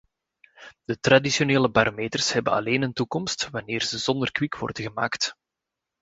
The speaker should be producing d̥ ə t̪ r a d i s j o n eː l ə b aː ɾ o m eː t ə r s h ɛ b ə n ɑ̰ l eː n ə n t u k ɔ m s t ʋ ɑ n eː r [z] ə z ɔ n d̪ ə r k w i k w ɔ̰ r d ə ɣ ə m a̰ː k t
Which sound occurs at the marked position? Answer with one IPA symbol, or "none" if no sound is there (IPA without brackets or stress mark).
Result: z